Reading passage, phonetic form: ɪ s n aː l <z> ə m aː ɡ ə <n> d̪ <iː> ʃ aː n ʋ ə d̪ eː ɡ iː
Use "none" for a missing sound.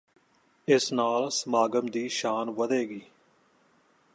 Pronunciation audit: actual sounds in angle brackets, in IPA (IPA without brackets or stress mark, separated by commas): s, m, iː